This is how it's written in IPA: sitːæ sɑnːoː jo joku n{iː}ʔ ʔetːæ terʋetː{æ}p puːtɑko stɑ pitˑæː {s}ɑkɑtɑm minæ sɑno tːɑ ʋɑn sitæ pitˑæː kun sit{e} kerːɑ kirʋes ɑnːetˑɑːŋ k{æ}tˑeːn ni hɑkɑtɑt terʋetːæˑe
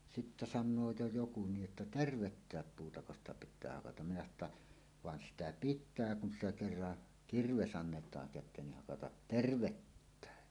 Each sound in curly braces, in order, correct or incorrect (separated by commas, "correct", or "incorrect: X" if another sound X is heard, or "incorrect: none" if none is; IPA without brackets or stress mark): correct, incorrect: æː, incorrect: h, incorrect: æ, correct